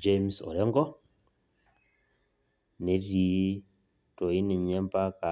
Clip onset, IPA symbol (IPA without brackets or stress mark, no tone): d͡ʒ